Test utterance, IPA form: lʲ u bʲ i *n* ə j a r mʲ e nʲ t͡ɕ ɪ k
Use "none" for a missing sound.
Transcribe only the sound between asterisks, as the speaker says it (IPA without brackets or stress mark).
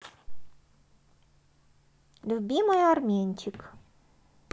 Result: m